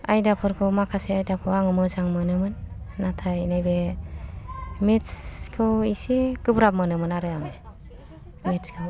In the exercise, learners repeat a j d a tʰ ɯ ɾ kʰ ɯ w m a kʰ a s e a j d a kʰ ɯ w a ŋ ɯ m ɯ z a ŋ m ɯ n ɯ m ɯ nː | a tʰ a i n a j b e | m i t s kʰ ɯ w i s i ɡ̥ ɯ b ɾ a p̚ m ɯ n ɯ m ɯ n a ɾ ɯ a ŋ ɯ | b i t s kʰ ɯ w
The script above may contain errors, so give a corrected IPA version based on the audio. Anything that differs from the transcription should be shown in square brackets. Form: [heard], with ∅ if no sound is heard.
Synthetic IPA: a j d a [pʰ] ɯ ɾ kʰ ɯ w m a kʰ a s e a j d a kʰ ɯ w a ŋ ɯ m ɯ z a ŋ m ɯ n ɯ m ɯ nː | a tʰ a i n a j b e | m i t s kʰ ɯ w i s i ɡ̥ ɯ b ɾ a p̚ m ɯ n ɯ m ɯ n a ɾ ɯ a ŋ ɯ | [m] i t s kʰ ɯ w